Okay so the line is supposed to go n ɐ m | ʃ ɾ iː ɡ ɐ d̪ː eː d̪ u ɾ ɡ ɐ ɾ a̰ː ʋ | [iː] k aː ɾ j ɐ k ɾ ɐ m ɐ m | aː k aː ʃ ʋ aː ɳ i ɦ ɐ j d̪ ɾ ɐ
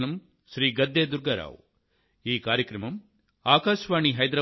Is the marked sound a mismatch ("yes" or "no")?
no